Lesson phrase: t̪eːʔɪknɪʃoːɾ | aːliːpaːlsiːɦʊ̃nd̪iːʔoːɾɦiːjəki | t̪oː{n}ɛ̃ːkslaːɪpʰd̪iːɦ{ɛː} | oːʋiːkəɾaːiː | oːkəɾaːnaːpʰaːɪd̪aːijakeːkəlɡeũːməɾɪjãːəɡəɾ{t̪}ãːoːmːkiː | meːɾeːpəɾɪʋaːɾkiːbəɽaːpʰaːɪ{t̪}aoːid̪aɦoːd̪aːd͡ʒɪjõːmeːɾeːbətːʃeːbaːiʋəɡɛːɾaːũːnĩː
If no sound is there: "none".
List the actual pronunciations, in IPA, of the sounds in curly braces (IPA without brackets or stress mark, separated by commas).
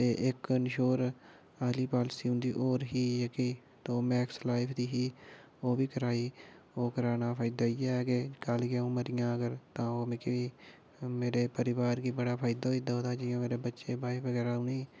m, iː, t̪, d̪